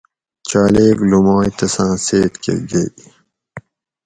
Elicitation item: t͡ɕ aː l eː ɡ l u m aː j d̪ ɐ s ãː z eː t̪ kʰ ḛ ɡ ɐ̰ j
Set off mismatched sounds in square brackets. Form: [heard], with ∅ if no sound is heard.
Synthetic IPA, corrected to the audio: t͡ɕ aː l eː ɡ l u m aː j [t̪] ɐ s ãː [s] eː t̪ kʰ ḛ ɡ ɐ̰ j